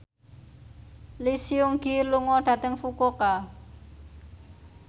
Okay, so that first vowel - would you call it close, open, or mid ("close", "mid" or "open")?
close